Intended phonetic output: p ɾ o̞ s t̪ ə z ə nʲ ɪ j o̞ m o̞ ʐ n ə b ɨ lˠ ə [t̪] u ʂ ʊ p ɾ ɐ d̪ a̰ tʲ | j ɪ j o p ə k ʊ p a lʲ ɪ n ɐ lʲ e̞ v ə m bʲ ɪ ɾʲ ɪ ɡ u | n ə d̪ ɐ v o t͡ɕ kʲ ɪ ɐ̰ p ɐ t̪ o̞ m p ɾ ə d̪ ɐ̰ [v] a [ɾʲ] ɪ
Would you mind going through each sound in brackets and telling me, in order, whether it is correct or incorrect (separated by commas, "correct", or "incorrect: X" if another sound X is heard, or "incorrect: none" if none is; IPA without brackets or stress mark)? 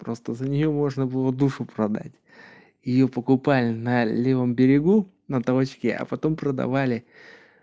incorrect: d̪, correct, incorrect: lʲ